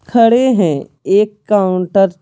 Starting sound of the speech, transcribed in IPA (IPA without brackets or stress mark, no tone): kʰ